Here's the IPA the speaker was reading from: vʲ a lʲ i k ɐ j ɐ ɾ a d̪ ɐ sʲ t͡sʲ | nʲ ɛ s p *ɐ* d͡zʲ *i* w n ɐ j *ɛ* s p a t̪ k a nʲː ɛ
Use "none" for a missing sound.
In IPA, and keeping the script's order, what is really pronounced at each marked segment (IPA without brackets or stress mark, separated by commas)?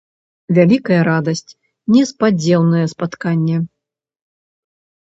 a, ɛ, ɛ